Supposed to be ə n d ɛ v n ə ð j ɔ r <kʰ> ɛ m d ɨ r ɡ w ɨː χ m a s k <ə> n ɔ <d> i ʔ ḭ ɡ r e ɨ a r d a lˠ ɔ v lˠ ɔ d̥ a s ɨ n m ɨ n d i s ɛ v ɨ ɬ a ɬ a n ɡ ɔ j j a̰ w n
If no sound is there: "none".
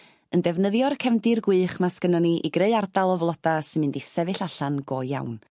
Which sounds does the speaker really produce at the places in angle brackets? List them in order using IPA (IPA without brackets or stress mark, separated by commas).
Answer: kʰ, ə, n